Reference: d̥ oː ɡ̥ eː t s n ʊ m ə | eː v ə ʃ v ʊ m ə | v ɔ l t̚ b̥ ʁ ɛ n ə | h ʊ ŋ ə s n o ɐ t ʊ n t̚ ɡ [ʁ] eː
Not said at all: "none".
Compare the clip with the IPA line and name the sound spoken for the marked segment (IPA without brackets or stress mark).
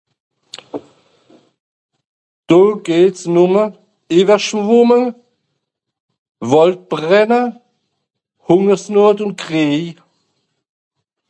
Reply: ʁ